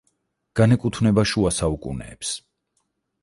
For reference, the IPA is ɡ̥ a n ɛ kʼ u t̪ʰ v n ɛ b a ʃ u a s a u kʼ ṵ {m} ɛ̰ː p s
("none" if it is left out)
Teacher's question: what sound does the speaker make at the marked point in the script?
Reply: n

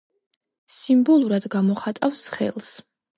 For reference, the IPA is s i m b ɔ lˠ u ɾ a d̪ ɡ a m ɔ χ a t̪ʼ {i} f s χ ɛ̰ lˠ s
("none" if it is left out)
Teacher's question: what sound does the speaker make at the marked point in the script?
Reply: a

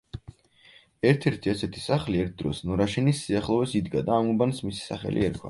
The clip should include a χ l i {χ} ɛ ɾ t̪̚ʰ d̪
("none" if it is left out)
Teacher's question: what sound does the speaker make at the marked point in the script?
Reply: none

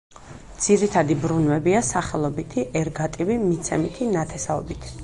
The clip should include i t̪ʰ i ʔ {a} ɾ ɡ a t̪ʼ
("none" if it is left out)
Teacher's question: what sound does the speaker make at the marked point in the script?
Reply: ɛ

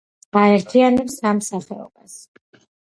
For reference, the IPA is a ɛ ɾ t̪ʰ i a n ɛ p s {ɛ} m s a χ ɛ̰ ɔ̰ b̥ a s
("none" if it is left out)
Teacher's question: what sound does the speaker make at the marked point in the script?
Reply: a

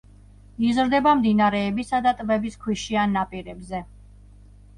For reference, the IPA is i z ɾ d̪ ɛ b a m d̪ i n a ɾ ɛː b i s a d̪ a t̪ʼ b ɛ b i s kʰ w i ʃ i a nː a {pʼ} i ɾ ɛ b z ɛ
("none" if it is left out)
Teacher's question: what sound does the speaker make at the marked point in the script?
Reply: pʼ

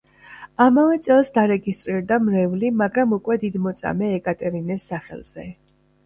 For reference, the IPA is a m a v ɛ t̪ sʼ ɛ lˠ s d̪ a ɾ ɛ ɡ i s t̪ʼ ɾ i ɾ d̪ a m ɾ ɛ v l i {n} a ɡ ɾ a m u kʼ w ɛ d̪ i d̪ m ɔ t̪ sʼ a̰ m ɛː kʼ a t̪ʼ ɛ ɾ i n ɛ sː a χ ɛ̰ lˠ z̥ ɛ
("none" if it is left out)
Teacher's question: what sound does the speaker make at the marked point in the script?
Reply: m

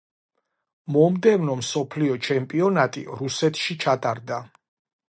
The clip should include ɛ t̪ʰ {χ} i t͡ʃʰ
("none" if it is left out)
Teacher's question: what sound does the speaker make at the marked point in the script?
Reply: ʃ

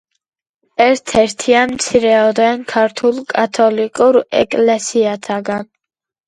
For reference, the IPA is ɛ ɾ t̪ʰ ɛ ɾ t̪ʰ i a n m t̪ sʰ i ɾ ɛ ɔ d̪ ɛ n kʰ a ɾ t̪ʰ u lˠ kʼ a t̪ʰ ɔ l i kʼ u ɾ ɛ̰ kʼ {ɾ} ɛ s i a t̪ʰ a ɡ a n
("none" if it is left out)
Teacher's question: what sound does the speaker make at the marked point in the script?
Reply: l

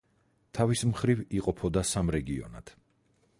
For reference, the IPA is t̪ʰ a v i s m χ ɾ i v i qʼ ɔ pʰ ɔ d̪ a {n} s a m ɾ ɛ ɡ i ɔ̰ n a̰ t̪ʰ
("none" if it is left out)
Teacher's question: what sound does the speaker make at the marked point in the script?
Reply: none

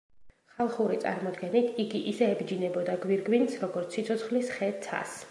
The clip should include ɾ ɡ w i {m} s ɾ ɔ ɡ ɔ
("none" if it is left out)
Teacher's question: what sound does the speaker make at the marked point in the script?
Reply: n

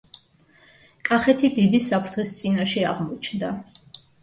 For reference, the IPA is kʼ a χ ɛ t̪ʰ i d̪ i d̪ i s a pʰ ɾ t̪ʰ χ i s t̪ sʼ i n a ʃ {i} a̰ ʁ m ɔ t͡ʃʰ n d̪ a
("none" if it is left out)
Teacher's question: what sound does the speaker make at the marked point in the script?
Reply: ɛ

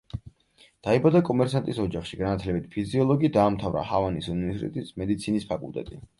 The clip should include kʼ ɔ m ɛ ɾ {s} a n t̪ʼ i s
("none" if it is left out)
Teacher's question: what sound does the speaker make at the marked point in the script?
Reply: s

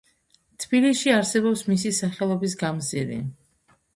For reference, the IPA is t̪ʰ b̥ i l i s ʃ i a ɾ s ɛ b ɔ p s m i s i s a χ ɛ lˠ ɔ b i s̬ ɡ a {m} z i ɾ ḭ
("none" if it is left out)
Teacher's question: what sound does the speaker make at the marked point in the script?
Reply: m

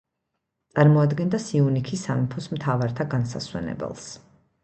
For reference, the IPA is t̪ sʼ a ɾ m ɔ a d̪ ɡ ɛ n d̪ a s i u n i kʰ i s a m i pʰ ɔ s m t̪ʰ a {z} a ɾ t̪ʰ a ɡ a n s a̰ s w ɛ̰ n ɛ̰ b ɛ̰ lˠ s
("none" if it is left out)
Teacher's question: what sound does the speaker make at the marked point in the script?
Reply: v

